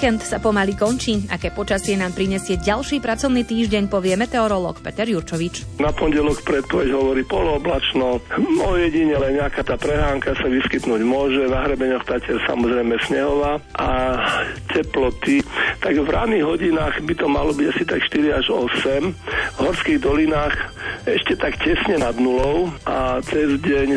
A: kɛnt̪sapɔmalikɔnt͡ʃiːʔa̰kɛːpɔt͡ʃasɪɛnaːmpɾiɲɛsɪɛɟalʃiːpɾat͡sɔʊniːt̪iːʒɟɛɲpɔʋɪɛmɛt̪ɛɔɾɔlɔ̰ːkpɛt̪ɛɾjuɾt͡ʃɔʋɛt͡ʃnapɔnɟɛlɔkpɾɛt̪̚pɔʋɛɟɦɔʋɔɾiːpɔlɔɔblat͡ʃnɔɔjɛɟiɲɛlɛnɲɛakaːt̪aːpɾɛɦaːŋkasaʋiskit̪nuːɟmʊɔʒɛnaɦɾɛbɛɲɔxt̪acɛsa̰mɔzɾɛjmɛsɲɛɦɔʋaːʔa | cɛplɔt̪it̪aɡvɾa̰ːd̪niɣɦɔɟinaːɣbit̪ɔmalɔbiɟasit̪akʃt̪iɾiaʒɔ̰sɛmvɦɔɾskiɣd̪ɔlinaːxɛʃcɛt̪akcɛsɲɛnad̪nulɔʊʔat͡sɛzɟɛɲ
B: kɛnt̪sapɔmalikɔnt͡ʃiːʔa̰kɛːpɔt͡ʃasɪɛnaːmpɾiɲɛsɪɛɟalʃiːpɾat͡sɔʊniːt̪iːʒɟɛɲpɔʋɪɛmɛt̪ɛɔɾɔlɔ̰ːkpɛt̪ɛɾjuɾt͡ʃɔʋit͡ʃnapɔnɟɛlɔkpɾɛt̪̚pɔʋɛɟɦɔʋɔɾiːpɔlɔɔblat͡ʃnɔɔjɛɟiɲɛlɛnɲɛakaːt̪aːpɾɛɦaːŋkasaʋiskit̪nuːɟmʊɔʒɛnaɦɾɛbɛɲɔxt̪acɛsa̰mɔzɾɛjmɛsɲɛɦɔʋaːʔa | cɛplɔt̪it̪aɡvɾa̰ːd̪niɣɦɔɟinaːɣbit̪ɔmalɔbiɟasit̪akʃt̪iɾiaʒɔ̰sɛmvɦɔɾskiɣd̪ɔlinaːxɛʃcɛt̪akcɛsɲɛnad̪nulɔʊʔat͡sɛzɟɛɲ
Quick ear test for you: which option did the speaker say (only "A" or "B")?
B